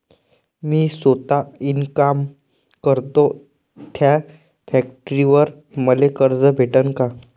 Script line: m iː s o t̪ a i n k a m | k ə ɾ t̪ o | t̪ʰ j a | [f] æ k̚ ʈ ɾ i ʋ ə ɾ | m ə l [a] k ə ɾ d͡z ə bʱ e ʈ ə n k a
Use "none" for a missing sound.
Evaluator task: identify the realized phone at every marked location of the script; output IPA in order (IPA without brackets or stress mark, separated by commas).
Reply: f, e